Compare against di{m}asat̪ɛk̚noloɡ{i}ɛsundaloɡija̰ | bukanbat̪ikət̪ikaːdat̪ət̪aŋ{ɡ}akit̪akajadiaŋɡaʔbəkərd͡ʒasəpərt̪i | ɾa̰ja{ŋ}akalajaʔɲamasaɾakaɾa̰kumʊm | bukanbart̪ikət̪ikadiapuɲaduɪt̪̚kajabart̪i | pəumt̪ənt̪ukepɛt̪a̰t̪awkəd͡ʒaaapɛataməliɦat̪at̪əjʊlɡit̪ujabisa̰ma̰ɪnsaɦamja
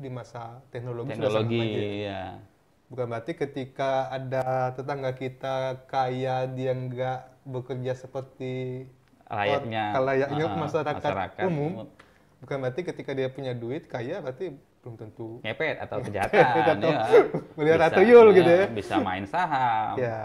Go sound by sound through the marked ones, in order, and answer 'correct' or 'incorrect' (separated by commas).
correct, correct, correct, incorrect